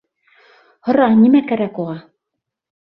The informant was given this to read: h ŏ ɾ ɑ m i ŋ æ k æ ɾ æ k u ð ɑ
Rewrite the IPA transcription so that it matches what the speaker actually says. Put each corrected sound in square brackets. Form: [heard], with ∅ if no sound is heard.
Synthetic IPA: h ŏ ɾ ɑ [n] i [m] æ k æ ɾ æ k u [ʁ] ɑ

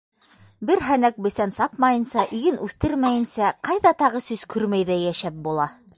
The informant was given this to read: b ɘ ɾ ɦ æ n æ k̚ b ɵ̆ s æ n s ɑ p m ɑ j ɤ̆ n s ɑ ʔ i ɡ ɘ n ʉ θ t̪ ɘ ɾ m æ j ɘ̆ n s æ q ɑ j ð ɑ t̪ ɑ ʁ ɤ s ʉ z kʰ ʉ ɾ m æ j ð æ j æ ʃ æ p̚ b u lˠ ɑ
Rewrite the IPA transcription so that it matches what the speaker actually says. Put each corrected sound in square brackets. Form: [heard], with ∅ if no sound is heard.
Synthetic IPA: b ɘ ɾ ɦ æ n æ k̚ b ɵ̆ s æ n s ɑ p m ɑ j ɤ̆ n s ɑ ʔ i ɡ ɘ n ʉ θ t̪ ɘ ɾ m æ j ɘ̆ n s æ q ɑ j ð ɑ t̪ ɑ ʁ ɤ s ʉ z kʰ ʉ ɾ m æ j ð æ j æ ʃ æ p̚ b u lˠ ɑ

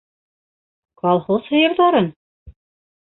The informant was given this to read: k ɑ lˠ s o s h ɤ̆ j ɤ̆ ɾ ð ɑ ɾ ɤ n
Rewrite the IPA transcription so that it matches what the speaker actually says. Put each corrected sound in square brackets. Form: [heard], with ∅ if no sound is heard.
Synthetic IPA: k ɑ lˠ [χ] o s h ɤ̆ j ɤ̆ ɾ ð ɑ ɾ ɤ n

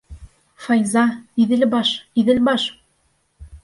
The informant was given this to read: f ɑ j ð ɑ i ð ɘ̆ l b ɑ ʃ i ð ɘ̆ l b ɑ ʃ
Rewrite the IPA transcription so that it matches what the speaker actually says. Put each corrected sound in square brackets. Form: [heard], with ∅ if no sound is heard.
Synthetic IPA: f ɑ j [z] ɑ i ð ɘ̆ l b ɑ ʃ i ð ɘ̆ l b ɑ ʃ

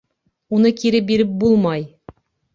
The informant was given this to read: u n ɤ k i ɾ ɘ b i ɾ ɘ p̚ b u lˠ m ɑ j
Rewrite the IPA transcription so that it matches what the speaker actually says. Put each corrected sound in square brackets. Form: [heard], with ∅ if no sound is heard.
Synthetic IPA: u n ɤ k i ɾ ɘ b i ɾ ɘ p̚ b u lˠ m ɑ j

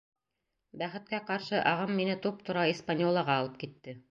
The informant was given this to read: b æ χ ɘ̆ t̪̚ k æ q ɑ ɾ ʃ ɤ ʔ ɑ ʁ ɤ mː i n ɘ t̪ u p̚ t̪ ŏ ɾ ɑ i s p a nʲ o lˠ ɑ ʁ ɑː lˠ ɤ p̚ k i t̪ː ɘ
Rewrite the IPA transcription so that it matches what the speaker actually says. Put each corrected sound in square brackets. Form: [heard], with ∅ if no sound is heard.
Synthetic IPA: b æ χ ɘ̆ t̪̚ k æ q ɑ ɾ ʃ ɤ ʔ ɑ ʁ ɤ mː i n ɘ t̪ u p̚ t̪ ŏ ɾ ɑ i s p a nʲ o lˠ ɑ ʁ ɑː lˠ ɤ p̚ k i t̪ː ɘ

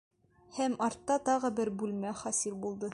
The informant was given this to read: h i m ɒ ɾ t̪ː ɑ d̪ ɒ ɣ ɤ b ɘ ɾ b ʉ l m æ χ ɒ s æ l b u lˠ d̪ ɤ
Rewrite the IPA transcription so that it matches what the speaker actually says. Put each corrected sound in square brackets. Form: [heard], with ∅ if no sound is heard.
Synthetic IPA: h [æ] m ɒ ɾ t̪ː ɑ [t̪] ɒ [ʁ] ɤ b ɘ ɾ b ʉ l m æ χ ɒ s [i] l b u lˠ d̪ ɤ

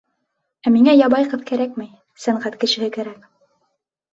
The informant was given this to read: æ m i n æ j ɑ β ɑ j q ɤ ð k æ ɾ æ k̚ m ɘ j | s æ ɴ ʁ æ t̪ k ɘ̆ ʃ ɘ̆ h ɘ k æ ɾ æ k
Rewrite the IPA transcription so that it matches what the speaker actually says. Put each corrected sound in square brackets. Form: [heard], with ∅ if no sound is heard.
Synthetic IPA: æ m i [ŋ] æ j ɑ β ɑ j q ɤ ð k æ ɾ æ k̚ m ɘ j | s æ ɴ ʁ æ t̪ k ɘ̆ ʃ ɘ̆ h ɘ k æ ɾ æ k

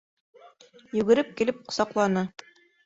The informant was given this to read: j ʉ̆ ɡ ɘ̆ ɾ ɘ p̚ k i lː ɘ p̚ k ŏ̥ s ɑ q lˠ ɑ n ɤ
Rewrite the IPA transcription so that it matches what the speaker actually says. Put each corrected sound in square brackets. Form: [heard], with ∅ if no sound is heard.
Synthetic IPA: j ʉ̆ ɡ ɘ̆ ɾ ɘ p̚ k i [l] ɘ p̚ [q] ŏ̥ s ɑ q lˠ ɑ n ɤ

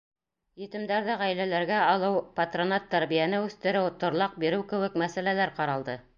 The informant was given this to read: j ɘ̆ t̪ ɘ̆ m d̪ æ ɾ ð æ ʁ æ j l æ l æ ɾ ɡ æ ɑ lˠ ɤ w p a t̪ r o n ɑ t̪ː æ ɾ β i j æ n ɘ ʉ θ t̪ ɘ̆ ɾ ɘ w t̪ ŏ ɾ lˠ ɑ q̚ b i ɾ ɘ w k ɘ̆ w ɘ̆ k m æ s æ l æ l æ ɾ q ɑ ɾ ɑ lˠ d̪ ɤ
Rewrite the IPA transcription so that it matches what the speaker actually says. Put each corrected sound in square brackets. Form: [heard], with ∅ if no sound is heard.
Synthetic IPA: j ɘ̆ t̪ ɘ̆ m d̪ æ ɾ ð æ ʁ æ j l æ l æ ɾ ɡ æ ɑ lˠ ɤ w p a t̪ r o n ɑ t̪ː æ ɾ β i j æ n ɘ ʉ θ t̪ ɘ̆ ɾ ɘ w t̪ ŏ ɾ lˠ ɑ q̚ b i ɾ ɘ w k ɘ̆ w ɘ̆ k m æ s æ l æ l æ ɾ q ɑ ɾ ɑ lˠ d̪ ɤ

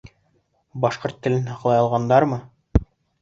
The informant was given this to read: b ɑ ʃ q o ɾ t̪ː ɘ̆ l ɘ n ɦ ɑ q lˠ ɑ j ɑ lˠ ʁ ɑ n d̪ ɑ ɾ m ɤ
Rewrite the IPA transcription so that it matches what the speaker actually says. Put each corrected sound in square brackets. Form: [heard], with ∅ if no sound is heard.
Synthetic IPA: b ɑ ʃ q o ɾ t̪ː ɘ̆ l ɘ n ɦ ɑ q lˠ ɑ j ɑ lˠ ʁ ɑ n d̪ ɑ ɾ m ɤ

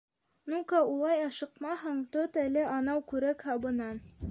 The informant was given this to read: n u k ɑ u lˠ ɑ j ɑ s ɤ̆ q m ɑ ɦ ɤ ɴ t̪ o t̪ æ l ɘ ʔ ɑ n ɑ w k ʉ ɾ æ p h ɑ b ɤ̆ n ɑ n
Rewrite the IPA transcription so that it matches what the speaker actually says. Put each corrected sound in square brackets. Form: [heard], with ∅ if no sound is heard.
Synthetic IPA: n u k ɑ u lˠ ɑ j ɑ [ʃ] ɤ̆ q m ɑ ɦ ɤ ɴ t̪ o t̪ æ l ɘ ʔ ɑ n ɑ w k ʉ ɾ æ [k] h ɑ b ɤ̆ n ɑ n

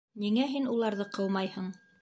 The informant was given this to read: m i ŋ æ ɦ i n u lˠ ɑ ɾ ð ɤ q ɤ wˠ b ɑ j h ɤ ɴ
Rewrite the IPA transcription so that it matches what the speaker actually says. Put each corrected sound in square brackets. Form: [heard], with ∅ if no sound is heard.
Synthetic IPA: [n] i ŋ æ ɦ i n u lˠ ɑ ɾ ð ɤ q ɤ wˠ [m] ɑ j h ɤ ɴ

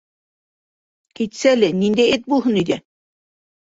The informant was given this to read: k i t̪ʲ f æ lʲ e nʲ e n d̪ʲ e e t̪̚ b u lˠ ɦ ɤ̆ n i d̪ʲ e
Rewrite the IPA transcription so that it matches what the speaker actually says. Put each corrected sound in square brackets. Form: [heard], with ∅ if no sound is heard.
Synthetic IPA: k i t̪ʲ [s] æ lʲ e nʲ [i] n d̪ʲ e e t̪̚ b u lˠ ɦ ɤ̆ n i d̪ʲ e

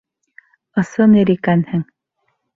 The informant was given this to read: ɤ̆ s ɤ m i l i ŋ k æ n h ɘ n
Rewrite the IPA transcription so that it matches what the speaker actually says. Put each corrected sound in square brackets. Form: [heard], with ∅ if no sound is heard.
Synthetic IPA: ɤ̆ s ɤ [n] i [ɾ] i [∅] k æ n h ɘ [ŋ]

